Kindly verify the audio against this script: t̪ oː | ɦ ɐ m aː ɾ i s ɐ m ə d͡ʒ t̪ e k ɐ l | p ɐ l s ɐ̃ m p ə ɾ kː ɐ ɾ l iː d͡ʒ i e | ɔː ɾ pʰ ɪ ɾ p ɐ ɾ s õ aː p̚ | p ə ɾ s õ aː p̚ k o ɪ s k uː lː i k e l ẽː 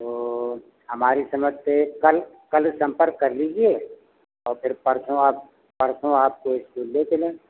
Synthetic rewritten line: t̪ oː | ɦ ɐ m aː ɾ i s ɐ m ə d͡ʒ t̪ e k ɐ l | k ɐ l s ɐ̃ m p ə ɾ kː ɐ ɾ l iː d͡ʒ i e | ɔː ɾ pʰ ɪ ɾ p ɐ ɾ s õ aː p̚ | p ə ɾ s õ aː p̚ k o ɪ s k uː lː e k e l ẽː